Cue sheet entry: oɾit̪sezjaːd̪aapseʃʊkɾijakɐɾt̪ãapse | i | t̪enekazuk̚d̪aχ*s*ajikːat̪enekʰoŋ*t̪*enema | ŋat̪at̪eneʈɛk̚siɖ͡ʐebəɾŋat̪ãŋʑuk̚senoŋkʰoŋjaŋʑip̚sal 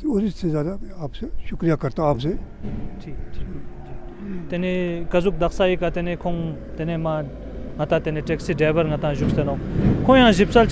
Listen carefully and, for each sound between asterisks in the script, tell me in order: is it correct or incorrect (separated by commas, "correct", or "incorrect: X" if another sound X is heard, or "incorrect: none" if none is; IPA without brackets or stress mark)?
correct, correct